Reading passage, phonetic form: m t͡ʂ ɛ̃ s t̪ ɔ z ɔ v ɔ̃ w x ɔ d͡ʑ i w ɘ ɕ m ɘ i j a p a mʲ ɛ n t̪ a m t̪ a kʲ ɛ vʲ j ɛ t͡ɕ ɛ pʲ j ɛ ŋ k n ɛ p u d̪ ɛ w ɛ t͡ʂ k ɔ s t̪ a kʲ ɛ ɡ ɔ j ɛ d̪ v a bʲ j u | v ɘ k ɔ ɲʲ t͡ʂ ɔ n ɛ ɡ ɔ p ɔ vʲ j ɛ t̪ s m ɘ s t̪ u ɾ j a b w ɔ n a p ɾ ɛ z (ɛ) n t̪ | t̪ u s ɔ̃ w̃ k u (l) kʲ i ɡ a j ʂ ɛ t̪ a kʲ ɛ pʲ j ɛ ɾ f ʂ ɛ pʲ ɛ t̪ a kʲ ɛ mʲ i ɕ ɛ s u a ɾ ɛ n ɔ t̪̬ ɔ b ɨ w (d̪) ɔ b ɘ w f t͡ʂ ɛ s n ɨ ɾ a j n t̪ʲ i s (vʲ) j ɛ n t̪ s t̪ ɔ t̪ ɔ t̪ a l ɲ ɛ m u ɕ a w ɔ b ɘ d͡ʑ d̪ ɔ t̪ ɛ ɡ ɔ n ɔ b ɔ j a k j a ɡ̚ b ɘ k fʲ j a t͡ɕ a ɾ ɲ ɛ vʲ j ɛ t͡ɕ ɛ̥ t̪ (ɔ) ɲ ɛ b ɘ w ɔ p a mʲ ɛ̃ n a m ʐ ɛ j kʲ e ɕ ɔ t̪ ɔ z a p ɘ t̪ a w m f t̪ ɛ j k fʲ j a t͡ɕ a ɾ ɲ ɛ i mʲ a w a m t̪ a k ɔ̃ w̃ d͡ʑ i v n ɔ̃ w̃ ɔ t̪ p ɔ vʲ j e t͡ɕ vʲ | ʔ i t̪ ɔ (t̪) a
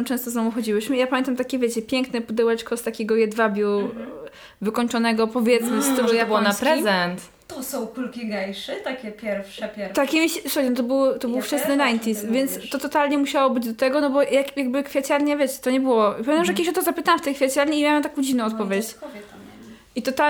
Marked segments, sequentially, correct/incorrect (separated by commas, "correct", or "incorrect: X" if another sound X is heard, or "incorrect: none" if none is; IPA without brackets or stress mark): correct, correct, incorrect: t̪, correct, correct, correct